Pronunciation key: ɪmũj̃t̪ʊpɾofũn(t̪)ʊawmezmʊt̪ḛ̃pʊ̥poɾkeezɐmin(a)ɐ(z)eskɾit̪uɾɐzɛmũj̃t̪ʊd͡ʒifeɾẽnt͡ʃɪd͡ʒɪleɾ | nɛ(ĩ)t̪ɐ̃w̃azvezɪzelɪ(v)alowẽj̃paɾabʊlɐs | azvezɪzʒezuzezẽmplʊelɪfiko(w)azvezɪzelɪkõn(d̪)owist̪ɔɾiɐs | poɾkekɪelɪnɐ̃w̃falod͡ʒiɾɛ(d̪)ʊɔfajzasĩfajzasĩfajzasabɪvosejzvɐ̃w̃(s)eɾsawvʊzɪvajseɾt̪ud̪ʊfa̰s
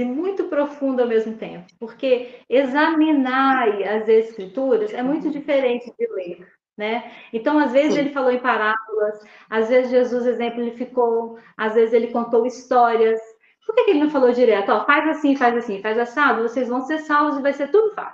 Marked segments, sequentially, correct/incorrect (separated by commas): incorrect, correct, correct, incorrect, incorrect, correct, incorrect, incorrect, correct